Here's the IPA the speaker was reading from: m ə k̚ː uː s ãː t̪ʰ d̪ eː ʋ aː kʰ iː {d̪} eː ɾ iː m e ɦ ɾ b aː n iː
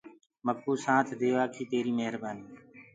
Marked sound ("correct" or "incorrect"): incorrect